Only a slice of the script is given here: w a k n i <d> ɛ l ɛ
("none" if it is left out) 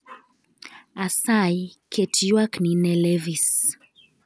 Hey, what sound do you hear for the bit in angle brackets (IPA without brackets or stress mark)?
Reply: n